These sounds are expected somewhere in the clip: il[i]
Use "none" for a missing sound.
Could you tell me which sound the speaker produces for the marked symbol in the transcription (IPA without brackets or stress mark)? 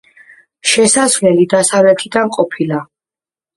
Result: a